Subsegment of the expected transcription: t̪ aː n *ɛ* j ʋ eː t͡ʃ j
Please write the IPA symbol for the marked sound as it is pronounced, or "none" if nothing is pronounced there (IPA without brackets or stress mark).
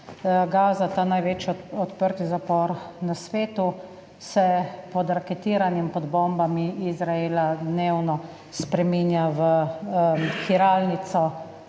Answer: a